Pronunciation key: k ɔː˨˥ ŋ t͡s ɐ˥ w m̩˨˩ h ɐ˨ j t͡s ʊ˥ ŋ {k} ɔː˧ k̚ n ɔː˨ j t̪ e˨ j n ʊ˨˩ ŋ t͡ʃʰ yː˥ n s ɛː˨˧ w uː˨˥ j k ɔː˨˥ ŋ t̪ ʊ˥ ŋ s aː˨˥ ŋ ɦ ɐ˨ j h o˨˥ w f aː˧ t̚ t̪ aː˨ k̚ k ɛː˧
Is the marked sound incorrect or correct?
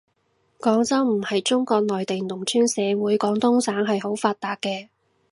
correct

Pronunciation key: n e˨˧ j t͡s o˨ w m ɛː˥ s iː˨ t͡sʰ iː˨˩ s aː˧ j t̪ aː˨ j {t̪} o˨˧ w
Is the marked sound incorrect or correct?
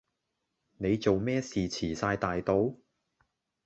correct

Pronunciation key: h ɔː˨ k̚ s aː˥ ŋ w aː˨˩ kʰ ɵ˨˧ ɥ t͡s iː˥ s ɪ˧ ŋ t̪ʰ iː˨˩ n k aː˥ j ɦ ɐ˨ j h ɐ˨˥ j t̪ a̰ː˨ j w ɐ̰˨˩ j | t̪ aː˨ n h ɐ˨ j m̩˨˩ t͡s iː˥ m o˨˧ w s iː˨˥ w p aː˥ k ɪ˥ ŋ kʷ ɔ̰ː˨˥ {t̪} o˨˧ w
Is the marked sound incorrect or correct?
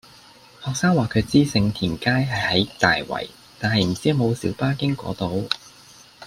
correct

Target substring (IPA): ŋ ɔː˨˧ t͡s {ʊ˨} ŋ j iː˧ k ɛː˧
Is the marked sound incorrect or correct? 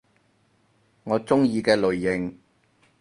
incorrect: ʊ˥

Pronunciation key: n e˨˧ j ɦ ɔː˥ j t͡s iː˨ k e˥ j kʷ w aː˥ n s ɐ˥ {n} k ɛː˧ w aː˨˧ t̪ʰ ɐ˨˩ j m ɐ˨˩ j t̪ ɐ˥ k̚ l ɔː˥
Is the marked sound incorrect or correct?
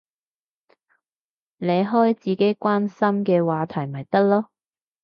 incorrect: m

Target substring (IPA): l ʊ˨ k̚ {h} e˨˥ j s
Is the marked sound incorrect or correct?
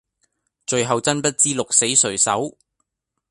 incorrect: s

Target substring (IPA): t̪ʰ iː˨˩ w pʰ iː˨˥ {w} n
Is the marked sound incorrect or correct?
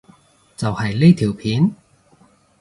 incorrect: none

